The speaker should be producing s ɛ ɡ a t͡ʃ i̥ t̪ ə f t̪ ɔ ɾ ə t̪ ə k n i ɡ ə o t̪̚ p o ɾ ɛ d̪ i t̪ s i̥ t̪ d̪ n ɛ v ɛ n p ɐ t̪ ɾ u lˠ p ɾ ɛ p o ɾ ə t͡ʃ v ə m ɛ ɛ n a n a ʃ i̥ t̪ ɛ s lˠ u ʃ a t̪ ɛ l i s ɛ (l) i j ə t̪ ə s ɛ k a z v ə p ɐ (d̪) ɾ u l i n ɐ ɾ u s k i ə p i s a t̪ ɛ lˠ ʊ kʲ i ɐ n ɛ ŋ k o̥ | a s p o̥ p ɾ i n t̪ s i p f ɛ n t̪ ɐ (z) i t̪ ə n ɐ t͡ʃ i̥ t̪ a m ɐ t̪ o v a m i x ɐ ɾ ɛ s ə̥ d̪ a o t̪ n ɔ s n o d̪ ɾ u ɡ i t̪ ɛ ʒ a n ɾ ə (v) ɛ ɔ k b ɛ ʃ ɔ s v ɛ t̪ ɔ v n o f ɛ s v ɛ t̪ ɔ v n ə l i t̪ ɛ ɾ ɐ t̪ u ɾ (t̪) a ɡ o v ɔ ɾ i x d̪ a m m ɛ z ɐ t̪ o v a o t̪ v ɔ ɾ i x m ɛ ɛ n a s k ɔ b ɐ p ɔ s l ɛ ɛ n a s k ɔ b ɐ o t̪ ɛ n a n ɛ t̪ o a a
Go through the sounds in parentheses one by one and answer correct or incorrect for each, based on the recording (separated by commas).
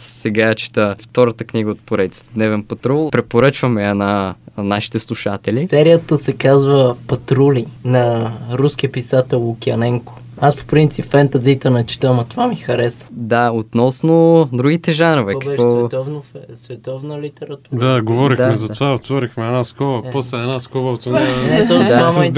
incorrect, incorrect, correct, correct, incorrect